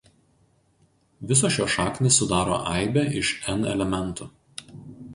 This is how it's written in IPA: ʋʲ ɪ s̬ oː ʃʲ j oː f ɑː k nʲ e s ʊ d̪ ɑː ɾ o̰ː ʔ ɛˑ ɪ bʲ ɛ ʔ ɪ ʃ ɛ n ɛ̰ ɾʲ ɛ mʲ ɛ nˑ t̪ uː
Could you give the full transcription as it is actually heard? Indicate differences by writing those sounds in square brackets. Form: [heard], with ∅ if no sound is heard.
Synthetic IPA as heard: ʋʲ ɪ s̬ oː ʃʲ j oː [ʃ] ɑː k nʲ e s ʊ d̪ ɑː ɾ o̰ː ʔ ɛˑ ɪ bʲ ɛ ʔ ɪ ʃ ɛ n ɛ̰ [lʲ] ɛ mʲ ɛ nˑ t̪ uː